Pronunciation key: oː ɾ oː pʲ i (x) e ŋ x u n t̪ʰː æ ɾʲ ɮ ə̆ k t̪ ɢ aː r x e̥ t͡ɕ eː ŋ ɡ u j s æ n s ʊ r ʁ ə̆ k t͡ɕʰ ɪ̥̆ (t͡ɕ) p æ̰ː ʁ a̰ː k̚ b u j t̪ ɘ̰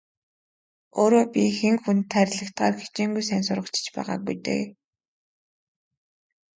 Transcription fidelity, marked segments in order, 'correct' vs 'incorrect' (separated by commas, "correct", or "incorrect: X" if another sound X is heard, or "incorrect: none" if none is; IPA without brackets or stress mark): correct, correct